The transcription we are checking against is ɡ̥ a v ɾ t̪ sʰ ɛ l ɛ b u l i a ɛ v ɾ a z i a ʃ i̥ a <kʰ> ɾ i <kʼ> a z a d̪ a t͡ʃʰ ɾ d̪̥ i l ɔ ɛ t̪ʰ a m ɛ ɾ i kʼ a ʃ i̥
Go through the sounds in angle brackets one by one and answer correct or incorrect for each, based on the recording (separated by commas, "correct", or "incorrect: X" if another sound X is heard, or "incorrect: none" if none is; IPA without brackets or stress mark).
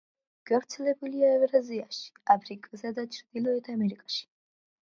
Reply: incorrect: pʰ, correct